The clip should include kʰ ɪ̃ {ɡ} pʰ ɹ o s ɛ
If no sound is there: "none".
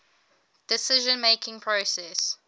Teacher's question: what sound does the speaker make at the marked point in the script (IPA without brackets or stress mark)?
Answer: ŋ